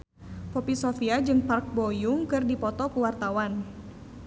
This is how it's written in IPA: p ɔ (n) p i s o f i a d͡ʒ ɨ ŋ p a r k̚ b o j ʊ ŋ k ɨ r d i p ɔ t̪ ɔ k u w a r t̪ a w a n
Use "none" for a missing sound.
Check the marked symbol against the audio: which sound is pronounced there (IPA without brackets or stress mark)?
none